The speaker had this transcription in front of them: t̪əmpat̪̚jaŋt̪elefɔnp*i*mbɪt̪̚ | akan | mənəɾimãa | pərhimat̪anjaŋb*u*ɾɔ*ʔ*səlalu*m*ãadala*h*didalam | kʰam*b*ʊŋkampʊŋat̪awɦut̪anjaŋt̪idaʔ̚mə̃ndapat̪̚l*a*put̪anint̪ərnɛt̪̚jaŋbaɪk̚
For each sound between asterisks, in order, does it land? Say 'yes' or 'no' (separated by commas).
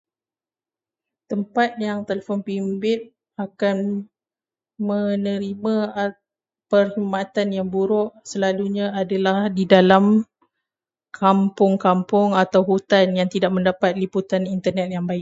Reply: yes, yes, yes, no, yes, no, no